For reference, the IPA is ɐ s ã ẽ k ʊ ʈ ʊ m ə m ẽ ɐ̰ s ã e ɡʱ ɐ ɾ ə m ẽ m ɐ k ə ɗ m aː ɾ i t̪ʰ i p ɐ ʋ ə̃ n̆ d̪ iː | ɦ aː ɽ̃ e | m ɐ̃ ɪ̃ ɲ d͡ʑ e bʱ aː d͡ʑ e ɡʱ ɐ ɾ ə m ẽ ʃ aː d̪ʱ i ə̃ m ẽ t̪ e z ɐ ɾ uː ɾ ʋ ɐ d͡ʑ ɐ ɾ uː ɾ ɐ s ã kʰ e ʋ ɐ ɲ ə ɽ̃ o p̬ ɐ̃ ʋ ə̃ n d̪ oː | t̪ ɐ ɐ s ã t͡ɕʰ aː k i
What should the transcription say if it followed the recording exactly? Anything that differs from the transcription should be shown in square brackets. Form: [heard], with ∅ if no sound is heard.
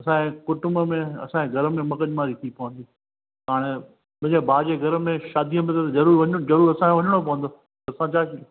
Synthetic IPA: ɐ s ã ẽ k ʊ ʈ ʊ m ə m ẽ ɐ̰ s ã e ɡʱ ɐ ɾ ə m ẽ m ɐ k ə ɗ m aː ɾ i t̪ʰ i p ɐ ʋ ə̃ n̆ d̪ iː | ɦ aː ɽ̃ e | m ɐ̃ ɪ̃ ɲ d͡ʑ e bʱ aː d͡ʑ e ɡʱ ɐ ɾ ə m ẽ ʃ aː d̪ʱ i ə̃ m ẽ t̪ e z ɐ ɾ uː ɾ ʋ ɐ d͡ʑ ɐ ɾ uː ɾ ɐ s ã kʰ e ʋ ɐ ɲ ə ɽ̃ o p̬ [ɐ] ʋ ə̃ n d̪ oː | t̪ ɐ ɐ s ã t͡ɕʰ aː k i